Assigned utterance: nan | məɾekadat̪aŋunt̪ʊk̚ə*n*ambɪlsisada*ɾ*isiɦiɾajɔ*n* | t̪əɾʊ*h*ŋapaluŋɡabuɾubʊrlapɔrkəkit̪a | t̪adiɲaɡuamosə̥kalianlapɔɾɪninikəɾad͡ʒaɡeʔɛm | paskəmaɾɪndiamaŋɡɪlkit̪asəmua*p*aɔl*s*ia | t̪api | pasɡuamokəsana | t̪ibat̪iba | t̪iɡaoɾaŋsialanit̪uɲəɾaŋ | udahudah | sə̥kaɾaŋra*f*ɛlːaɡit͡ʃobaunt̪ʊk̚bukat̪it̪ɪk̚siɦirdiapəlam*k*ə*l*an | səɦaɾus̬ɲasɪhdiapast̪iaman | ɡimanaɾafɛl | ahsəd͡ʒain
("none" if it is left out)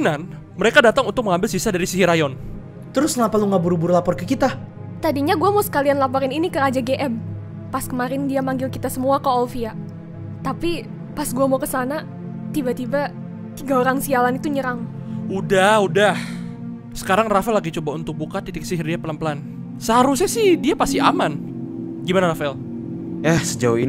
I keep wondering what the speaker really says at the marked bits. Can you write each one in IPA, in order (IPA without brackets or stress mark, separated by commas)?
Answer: ŋ, ɾ, n, s, k, f, f, p, l